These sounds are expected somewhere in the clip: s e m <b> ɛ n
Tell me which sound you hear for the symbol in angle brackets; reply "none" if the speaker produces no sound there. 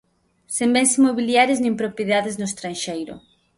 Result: b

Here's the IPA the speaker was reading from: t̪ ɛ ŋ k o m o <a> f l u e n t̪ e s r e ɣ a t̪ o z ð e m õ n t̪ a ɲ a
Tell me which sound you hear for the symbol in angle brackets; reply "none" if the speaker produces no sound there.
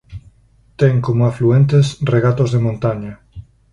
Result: a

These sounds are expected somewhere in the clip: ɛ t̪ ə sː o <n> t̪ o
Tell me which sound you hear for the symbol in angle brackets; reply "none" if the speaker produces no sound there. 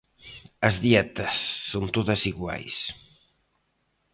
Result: n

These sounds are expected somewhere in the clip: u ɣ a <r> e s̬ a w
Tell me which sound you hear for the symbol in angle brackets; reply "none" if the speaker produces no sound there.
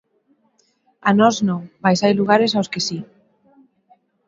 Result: ɾ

